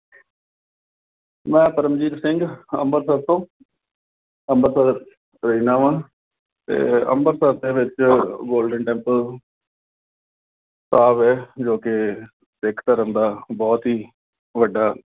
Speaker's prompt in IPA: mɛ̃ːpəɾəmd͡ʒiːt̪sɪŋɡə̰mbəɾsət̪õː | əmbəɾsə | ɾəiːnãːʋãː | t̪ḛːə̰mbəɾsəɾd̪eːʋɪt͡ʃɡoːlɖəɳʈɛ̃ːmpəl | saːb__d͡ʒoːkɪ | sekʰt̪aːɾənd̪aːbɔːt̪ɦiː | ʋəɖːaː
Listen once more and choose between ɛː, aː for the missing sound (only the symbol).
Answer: ɛː